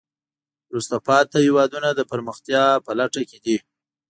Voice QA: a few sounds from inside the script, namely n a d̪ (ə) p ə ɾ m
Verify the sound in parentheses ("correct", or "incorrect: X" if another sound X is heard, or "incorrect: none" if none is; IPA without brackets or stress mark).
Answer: correct